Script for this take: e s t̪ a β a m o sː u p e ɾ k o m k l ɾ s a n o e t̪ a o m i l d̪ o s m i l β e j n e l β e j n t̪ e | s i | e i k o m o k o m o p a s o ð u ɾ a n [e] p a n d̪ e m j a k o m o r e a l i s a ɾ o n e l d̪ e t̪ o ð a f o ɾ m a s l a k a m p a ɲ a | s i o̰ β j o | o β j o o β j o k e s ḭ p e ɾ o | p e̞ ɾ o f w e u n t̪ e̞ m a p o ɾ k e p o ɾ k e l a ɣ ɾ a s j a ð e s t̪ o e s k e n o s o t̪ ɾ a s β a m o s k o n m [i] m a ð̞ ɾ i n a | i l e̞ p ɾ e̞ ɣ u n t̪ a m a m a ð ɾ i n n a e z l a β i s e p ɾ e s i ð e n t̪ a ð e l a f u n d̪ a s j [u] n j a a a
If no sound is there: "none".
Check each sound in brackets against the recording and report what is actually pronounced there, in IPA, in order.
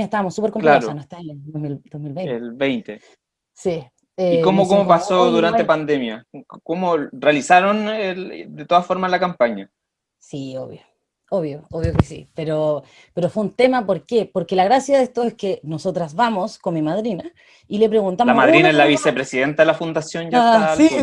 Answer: e, i, o

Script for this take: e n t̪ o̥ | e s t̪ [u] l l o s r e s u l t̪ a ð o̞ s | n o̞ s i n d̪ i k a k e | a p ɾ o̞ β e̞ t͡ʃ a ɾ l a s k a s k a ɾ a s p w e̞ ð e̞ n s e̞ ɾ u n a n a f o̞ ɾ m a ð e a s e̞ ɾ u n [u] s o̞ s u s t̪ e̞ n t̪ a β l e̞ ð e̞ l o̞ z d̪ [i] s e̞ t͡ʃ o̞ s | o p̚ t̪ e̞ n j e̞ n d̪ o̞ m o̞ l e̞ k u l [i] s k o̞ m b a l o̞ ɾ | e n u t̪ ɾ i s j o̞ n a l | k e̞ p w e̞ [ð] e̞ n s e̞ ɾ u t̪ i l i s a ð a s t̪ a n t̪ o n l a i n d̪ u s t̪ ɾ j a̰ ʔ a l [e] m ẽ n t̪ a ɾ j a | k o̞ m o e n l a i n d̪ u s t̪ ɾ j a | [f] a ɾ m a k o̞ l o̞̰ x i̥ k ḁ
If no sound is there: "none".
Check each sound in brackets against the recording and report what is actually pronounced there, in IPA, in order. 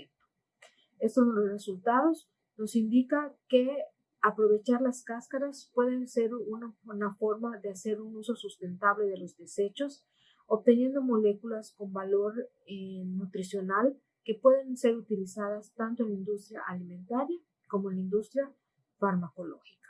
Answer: o, u, e, a, ð, i, f

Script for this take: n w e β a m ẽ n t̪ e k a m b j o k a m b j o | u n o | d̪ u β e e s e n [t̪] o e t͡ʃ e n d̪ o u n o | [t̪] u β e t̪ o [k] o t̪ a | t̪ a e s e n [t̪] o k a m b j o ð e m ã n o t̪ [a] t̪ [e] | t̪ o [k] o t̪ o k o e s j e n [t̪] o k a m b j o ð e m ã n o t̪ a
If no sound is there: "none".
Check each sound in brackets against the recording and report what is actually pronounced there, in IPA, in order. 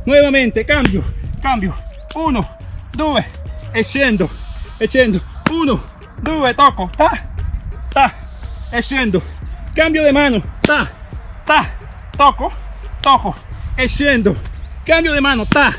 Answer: d̪, d̪, k, d̪, a, a, k, d̪

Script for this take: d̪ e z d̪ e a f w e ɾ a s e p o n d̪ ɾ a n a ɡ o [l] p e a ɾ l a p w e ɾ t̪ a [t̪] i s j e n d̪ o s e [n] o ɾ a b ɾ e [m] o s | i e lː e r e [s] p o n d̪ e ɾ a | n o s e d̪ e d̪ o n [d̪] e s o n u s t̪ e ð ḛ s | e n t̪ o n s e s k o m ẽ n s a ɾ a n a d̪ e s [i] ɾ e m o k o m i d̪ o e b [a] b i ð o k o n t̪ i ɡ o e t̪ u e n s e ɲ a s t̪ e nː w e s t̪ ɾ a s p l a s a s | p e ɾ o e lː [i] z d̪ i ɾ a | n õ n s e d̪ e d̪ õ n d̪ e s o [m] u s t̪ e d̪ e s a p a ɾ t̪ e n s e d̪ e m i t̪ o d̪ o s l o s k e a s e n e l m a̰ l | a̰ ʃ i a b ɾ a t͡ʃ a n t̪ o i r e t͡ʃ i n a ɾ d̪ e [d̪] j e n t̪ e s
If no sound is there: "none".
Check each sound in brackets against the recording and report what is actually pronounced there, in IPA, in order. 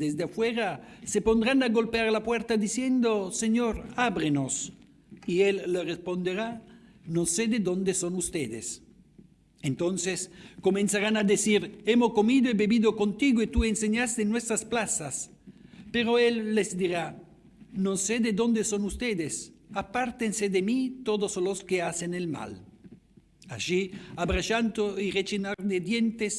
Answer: l, d̪, ɲ, n, s, d̪, i, e, e, n, d̪

